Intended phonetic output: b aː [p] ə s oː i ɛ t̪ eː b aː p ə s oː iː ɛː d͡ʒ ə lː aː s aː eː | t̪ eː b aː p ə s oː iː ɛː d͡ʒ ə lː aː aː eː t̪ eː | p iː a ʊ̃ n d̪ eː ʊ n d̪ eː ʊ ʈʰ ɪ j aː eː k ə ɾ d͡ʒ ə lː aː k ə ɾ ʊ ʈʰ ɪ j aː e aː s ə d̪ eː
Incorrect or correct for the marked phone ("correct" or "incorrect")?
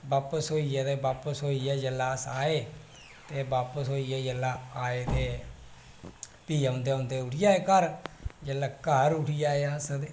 correct